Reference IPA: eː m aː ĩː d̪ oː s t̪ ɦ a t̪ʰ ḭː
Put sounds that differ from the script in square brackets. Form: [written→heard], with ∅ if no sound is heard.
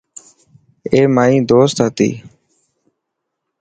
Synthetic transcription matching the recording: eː m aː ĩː d̪ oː s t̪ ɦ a [t̪ʰ→t̪] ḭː